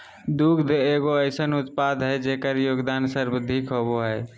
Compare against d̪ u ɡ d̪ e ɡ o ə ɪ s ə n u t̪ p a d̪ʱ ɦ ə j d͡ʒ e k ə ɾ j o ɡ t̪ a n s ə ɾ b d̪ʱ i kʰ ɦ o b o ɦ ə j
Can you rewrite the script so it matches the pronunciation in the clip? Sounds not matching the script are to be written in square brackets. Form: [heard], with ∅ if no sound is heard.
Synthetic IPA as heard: d̪ u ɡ d̪ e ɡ o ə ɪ s ə n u t̪ p a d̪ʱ ɦ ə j d͡ʒ e k ə ɾ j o ɡ [d̪] a n s ə ɾ b d̪ʱ i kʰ ɦ o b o ɦ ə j